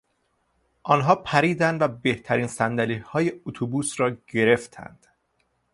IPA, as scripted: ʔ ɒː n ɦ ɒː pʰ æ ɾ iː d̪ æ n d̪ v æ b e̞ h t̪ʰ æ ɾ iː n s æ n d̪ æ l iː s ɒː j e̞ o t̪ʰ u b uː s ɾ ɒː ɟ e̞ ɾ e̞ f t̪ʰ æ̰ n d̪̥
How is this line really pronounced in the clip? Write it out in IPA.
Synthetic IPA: ʔ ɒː n ɦ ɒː pʰ æ ɾ iː d̪ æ n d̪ v æ b e̞ h t̪ʰ æ ɾ iː n s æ n d̪ æ l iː h ɒː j e̞ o t̪ʰ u b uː s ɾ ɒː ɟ e̞ ɾ e̞ f t̪ʰ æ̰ n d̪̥